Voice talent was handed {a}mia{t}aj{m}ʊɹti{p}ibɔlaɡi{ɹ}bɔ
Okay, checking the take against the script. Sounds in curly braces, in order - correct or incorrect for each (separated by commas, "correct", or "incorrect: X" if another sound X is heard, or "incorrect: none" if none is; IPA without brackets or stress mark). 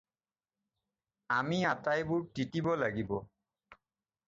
correct, correct, incorrect: b, incorrect: t, incorrect: none